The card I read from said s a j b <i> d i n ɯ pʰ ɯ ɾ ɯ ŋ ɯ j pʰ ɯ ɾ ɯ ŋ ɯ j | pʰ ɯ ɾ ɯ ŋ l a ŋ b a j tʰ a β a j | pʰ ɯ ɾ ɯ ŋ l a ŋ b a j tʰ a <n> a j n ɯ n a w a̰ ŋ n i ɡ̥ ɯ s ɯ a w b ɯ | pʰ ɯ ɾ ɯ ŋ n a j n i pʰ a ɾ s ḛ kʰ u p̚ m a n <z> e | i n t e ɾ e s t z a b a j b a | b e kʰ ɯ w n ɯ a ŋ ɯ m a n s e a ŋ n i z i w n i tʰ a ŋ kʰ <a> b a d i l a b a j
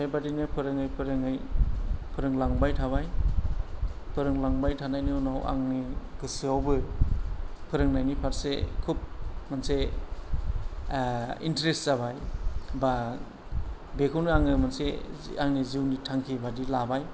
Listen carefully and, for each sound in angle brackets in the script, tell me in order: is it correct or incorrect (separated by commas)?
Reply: incorrect, correct, incorrect, incorrect